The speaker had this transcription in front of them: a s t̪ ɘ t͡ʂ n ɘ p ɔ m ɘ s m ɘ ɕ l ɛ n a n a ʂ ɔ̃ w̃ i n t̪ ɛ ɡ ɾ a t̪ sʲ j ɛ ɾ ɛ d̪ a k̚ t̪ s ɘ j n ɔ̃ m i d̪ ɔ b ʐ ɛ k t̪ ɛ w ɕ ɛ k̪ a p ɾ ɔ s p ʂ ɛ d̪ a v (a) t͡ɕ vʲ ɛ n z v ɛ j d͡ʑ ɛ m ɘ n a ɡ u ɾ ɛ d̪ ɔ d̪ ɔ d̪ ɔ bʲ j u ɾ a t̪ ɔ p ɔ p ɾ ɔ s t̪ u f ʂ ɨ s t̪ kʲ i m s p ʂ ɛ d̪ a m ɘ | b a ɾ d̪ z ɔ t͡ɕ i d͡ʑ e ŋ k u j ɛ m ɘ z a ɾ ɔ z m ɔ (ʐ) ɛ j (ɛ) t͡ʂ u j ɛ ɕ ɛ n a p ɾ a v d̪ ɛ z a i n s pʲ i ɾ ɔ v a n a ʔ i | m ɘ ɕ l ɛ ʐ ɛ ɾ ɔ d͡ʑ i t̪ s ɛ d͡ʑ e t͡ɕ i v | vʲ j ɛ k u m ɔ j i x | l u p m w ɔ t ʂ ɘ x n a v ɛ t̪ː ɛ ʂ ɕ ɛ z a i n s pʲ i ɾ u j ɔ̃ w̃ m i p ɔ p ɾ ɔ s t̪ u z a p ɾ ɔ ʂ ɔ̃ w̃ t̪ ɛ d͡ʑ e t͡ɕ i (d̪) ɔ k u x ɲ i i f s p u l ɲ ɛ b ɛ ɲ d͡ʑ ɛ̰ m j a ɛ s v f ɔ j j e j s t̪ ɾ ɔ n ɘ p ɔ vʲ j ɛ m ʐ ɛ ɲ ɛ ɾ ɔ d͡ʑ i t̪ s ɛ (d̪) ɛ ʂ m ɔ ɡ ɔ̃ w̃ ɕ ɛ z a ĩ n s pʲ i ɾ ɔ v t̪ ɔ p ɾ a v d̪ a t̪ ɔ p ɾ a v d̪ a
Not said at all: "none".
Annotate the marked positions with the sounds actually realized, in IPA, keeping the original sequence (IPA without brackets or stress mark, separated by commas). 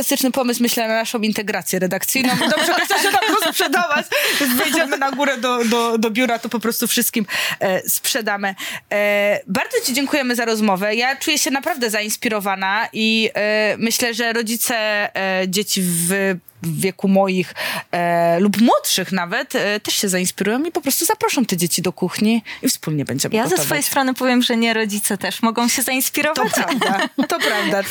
a, v, a, d̪, t̪